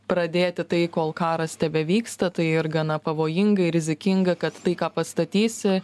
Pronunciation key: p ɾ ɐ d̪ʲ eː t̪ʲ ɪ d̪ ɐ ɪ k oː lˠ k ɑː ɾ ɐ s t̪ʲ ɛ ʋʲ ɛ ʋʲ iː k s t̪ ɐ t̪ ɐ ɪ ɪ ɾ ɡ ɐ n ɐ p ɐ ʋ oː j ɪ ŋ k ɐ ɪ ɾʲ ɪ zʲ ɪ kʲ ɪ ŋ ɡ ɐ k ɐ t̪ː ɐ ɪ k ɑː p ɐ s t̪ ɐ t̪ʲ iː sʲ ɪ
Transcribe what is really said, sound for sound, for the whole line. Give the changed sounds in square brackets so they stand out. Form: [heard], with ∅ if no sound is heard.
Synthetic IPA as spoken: p ɾ ɐ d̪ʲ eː t̪ʲ ɪ [t̪] ɐ ɪ k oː lˠ k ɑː ɾ ɐ s t̪ʲ ɛ ʋʲ ɛ ʋʲ iː k s t̪ ɐ t̪ ɐ ɪ ɪ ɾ ɡ ɐ n ɐ p ɐ ʋ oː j ɪ ŋ [ɡ] ɐ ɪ ɾʲ ɪ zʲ ɪ kʲ ɪ ŋ ɡ ɐ k ɐ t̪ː ɐ ɪ k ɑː p ɐ s t̪ ɐ t̪ʲ iː sʲ ɪ